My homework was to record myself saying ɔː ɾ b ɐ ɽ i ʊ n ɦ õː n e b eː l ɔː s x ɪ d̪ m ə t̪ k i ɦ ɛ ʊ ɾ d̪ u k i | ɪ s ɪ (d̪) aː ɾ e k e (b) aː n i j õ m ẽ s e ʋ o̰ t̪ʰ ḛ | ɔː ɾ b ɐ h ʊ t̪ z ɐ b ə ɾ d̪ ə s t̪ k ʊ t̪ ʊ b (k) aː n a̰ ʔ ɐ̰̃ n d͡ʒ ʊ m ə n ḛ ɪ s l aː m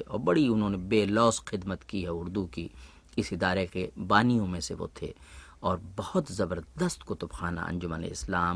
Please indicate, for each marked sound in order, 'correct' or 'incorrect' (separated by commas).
correct, correct, incorrect